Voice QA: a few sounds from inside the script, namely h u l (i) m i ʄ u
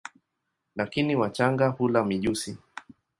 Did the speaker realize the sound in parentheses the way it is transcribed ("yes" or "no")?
no